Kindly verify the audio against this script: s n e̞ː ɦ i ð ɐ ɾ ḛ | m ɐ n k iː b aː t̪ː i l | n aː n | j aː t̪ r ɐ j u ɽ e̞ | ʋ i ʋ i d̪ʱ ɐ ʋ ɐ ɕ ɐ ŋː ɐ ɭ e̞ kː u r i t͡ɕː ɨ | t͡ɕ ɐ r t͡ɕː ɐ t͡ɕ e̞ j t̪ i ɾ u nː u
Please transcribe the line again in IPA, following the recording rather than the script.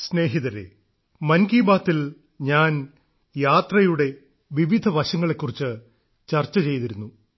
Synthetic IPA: s n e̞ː ɦ i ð ɐ ɾ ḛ | m ɐ n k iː b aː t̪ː i l | ɲ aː n | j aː t̪ r ɐ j u ɽ e̞ | ʋ i ʋ i d̪ʱ ɐ ʋ ɐ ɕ ɐ ŋː ɐ ɭ e̞ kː u r i t͡ɕː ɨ | t͡ɕ ɐ r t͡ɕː ɐ t͡ɕ e̞ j t̪ i ɾ u nː u

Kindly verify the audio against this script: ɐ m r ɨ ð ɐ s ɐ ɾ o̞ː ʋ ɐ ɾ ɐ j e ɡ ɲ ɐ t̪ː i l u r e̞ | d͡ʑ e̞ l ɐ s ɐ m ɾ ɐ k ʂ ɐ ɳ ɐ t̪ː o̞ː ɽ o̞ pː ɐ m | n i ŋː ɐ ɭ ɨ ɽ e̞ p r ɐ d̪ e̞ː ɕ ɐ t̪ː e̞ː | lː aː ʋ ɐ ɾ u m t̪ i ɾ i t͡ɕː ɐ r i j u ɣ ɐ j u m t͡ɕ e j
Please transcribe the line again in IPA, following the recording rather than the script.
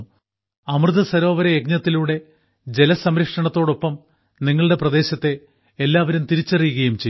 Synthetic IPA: ɐ m r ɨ ð ɐ s ɐ ɾ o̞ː ʋ ɐ ɾ ɐ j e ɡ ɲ ɐ t̪ː i l u ɽ e̞ | d͡ʑ e̞ l ɐ s ɐ m ɾ ɐ k ʂ ɐ ɳ ɐ t̪ː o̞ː ɽ o̞ pː ɐ m | n i ŋː ɐ ɭ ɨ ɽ e̞ p r ɐ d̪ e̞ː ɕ ɐ t̪ː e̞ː | lː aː ʋ ɐ ɾ u m t̪ i ɾ i t͡ɕː ɐ r i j u ɣ ɐ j u m t͡ɕ e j

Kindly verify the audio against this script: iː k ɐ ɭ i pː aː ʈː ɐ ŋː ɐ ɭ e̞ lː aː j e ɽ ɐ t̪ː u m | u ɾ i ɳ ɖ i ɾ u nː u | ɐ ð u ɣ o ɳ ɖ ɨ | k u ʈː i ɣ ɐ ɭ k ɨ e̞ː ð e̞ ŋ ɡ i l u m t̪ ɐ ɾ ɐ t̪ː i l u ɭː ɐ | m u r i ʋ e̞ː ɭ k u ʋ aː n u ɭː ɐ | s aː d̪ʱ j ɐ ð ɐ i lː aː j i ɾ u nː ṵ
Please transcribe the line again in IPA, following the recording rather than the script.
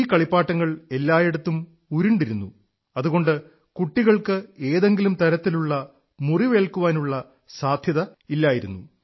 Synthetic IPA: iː k ɐ ɭ i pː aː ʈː ɐ ŋː ɐ ɭ e̞ lː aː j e ɽ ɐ t̪ː u m | u ɾ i ɳ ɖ i ɾ u nː u | ɐ ð u ɣ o ɳ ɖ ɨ | k u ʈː i ɣ ɐ ɭ k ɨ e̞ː ð e̞ ŋ ɡ i l u m t̪ ɐ ɾ ɐ t̪ː i l u ɭː ɐ | m u r i ʋ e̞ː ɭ k u ʋ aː n u ɭː ɐ | s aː d̪ʱ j ɐ ð ɐ i lː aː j i ɾ u nː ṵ

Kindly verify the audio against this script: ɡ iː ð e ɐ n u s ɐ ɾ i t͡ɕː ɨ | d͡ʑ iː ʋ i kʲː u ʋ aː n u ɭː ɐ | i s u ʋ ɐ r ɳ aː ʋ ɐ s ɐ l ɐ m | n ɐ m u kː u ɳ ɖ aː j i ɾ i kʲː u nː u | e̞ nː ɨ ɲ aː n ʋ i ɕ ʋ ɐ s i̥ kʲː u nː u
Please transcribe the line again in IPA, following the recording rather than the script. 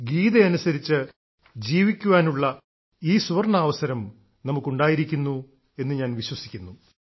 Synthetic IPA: ɡ iː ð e ɐ n u s ɐ ɾ i t͡ɕː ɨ | d͡ʑ iː ʋ i kʲː u ʋ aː n u ɭː ɐ | iː s u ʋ ɐ r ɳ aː ʋ ɐ s ɐ ɾ ɐ m | n ɐ m u kː u ɳ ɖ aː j i ɾ i kʲː u nː u | e̞ nː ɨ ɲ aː n ʋ i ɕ w ɐ s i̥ kʲː u nː u

